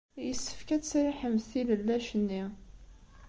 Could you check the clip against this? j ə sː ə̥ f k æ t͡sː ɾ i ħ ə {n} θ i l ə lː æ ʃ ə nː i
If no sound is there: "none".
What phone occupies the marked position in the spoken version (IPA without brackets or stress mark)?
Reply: m